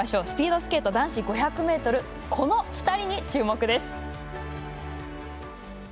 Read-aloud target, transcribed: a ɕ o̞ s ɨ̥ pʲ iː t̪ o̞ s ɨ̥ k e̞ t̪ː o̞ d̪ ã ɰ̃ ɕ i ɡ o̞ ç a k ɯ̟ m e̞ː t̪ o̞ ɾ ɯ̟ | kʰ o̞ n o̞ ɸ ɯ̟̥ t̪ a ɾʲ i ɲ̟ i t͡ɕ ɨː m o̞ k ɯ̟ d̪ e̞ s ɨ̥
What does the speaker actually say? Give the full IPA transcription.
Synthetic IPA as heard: a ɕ o̞ s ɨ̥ pʲ iː d̪ o̞ s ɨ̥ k e̞ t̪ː o̞ d̪ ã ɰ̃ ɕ i ɡ o̞ ç a k ɯ̟ m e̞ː t̪ o̞ ɾ ɯ̟ | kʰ o̞ n o̞ ɸ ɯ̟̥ t̪ a ɾʲ i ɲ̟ i t͡ɕ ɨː m o̞ k ɯ̟ d̪ e̞ s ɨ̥